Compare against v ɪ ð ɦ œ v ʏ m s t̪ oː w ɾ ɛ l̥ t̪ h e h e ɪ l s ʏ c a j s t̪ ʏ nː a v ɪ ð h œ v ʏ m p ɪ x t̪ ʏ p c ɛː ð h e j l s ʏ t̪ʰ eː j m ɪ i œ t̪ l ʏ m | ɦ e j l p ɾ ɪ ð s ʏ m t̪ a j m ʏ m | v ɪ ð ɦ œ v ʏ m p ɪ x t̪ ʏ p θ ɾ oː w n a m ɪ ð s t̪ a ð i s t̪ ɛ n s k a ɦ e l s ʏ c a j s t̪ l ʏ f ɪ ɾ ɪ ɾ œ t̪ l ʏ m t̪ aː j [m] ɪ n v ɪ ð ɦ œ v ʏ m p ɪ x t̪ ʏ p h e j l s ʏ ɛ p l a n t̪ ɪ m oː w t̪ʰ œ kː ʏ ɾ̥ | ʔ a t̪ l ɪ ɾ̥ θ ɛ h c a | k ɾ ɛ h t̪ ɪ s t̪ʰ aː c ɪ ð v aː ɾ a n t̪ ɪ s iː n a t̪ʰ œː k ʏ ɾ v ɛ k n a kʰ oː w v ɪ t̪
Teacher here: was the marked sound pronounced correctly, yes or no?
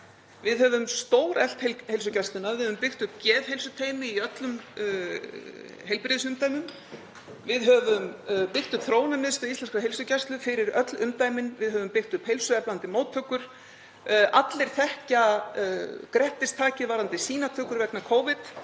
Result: yes